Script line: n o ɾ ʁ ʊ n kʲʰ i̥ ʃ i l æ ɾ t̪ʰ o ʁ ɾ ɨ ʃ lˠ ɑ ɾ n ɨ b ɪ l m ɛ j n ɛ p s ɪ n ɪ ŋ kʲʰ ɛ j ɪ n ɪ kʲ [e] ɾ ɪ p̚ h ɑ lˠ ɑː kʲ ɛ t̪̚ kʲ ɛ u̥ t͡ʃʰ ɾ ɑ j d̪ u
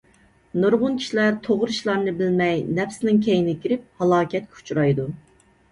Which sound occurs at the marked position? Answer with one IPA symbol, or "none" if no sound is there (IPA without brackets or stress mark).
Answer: i